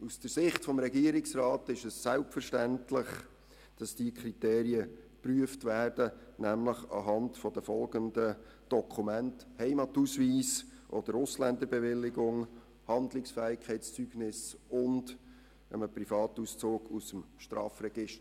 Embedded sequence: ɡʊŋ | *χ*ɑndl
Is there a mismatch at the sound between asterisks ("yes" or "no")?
yes